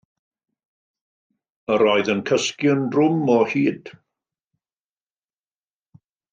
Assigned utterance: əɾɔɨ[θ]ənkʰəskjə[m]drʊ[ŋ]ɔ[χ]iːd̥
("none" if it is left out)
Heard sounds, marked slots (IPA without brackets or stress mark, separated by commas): ð, n, m, h